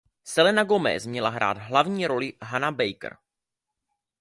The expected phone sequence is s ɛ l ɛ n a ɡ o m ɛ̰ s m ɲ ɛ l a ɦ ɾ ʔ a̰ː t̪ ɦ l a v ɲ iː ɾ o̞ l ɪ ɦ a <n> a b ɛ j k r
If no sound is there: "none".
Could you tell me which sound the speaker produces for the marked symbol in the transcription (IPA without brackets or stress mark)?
n